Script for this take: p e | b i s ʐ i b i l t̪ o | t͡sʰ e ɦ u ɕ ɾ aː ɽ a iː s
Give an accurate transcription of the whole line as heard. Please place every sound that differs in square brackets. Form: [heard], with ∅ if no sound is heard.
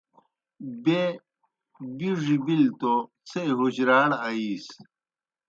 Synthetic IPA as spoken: [b] e | b i [∅] ʐ i b i l t̪ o | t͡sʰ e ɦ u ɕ ɾ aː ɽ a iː s